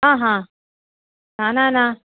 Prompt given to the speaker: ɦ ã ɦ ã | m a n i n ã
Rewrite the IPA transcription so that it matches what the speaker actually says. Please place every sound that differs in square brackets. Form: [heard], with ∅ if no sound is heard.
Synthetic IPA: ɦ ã ɦ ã | [n] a n [a] n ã